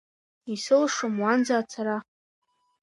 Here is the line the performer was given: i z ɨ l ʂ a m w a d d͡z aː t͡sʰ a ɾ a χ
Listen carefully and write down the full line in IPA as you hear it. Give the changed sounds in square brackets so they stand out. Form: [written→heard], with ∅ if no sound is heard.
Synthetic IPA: i [z→s] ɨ l ʂ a m w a [d→n] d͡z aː t͡sʰ a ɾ a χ